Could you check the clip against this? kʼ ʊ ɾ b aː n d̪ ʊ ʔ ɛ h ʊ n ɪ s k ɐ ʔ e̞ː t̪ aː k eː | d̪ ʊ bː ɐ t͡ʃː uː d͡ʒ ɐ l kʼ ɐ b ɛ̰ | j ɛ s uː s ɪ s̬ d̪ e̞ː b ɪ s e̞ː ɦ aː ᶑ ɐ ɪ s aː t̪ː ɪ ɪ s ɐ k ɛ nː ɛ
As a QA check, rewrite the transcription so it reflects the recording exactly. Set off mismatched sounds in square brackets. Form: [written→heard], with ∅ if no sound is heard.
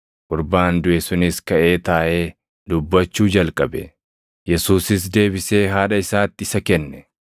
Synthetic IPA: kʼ ʊ ɾ b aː n d̪ ʊ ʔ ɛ [h→s] ʊ n ɪ s k ɐ ʔ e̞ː t̪ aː [k→ʔ] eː | d̪ ʊ bː ɐ t͡ʃː uː d͡ʒ ɐ l kʼ ɐ b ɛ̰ | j ɛ s uː s ɪ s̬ d̪ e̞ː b ɪ s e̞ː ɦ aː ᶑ ɐ ɪ s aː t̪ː ɪ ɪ s ɐ k ɛ nː ɛ